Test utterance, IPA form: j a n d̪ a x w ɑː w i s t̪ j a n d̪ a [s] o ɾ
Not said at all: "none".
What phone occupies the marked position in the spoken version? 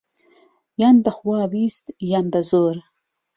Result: z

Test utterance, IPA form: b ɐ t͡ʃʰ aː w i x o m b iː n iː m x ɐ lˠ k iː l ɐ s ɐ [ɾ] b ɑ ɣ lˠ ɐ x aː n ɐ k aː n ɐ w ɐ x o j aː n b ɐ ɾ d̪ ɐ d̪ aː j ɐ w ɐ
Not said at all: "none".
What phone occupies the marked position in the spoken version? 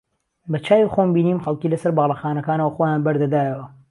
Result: ɾ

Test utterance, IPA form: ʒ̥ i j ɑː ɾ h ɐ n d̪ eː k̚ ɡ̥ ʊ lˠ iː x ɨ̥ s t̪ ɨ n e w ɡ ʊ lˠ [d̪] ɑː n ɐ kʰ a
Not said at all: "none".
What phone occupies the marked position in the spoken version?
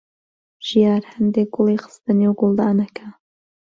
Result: d̪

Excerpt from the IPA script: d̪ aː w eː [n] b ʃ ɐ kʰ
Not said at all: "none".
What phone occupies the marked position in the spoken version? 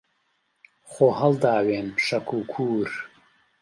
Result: n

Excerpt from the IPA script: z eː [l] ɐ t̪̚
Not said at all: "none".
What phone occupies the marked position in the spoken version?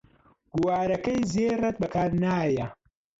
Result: r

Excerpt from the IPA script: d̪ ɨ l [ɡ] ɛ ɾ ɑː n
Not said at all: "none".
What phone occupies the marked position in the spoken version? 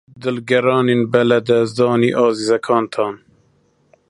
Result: ɡ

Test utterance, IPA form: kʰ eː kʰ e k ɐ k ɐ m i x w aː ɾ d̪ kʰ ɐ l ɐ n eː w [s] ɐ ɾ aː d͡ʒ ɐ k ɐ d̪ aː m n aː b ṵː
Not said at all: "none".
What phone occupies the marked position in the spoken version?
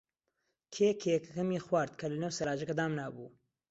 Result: s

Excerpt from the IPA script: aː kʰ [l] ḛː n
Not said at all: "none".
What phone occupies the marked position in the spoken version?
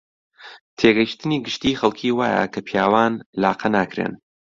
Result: ɾ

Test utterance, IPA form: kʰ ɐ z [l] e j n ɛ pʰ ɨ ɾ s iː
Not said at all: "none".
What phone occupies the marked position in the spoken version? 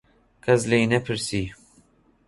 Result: l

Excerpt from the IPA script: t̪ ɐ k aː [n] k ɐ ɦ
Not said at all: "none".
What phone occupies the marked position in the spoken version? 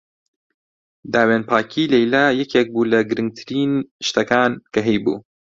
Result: n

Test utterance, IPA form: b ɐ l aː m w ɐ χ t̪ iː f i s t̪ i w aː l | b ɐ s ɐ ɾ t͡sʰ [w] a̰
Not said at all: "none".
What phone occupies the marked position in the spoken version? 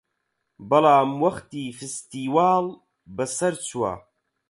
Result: w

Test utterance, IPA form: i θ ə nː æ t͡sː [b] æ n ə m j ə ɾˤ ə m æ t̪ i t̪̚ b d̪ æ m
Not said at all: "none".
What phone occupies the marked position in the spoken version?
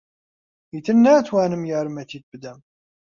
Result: w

